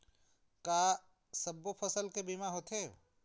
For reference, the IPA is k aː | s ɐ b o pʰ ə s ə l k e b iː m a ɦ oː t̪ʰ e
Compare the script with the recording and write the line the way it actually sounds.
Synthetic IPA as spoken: k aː | s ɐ b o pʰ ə s ə l k e b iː m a ɦ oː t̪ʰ e